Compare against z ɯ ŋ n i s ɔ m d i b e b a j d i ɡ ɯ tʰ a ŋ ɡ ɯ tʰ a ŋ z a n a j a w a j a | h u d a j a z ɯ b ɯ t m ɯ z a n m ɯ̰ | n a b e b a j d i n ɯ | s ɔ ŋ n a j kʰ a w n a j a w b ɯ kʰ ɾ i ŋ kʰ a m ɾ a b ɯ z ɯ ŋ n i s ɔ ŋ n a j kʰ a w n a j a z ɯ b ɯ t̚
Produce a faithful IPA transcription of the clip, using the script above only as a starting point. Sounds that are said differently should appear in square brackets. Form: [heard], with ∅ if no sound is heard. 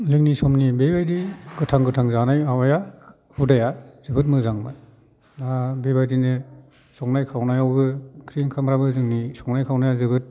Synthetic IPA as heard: z ɯ ŋ n i s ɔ m [n] i b e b a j d i ɡ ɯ tʰ a ŋ ɡ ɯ tʰ a ŋ z a n a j a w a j a | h u d a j a z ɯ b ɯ t m ɯ z a [ŋ] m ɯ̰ | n a b e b a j d i n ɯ | s ɔ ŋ n a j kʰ a w n a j a w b ɯ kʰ ɾ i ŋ kʰ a m ɾ a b ɯ z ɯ ŋ n i s ɔ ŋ n a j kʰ a w n a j a z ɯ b ɯ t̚